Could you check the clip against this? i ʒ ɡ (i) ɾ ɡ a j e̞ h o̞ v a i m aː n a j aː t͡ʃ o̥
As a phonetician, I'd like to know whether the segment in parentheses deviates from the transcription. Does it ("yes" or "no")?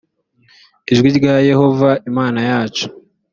no